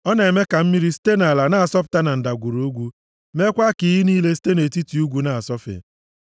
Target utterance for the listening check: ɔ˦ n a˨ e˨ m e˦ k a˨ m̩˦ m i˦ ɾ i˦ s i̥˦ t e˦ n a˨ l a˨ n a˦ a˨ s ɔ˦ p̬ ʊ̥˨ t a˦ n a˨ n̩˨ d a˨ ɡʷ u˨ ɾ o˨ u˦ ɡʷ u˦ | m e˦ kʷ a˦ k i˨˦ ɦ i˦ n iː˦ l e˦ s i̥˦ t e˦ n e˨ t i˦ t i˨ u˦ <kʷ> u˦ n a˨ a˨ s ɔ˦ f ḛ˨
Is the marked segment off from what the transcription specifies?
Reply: yes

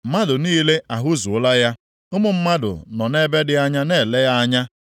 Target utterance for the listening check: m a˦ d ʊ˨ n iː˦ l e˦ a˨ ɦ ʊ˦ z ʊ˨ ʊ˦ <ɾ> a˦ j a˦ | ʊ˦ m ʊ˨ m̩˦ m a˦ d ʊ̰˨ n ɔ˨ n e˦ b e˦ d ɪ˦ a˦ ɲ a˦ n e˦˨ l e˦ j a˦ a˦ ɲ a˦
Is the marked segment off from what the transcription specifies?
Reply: yes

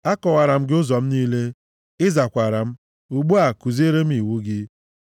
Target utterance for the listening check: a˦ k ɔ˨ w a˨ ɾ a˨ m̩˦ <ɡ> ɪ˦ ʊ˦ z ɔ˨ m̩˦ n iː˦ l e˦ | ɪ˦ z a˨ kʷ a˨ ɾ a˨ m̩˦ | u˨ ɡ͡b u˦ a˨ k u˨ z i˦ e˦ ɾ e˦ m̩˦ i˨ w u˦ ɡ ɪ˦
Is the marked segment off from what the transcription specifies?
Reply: no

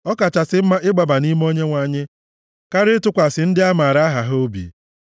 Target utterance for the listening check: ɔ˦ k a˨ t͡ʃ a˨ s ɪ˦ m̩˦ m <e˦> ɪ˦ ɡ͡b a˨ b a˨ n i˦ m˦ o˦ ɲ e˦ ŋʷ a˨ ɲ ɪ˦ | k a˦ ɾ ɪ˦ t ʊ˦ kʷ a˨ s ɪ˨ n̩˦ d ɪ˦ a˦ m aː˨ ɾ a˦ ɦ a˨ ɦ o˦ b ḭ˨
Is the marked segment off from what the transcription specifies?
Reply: yes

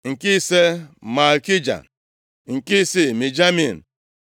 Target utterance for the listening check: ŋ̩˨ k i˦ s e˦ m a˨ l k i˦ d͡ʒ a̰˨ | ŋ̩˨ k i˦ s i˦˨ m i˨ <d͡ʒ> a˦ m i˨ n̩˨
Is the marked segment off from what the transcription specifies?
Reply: no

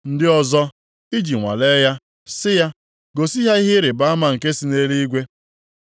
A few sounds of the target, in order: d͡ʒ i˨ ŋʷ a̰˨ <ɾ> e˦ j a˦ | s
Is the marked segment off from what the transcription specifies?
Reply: yes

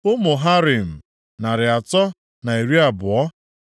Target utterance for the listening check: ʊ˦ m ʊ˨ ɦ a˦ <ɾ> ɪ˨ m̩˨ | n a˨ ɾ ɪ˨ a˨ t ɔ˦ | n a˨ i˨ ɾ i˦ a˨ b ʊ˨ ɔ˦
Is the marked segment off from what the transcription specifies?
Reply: no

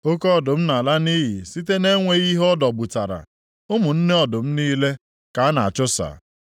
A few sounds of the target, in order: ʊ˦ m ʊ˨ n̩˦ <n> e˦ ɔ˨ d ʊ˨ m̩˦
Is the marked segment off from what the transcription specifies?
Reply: no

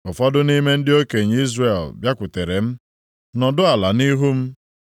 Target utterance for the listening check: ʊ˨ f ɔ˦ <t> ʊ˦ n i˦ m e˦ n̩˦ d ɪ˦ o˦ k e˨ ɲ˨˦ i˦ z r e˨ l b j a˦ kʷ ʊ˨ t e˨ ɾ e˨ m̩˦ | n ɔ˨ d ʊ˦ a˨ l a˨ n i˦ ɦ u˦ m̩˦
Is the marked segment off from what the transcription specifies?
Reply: yes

